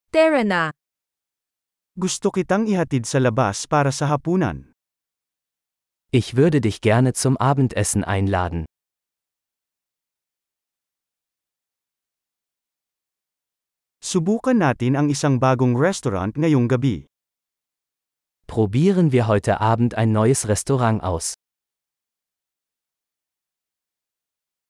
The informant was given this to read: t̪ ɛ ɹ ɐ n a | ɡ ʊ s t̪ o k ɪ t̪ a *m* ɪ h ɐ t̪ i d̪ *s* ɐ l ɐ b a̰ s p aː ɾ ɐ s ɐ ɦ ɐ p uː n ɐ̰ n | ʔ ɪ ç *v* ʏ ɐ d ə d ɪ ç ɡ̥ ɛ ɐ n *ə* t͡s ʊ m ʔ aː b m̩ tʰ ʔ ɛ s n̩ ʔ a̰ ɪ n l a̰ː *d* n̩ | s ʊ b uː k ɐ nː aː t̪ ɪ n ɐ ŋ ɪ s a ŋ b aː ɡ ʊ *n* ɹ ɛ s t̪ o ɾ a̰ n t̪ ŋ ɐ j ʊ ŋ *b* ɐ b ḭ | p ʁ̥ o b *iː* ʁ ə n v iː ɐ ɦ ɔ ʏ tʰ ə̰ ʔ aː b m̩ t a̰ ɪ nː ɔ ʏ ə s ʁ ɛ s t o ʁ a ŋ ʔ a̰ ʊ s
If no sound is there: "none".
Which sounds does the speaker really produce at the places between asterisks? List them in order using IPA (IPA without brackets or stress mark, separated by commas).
ŋ, s, v, ə, d, ŋ, ɡ, iː